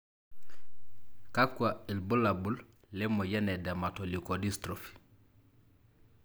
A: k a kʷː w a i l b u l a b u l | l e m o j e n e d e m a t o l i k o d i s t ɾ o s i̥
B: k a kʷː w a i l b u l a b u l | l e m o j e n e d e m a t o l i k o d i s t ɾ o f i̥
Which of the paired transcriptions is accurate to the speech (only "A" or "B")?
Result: B